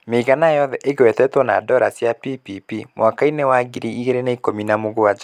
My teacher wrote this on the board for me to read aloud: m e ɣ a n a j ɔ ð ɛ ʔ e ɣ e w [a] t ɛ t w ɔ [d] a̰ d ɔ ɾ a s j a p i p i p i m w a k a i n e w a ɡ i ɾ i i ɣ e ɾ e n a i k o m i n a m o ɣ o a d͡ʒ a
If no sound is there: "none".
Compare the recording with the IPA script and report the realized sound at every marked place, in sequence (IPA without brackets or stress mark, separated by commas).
ɛ, n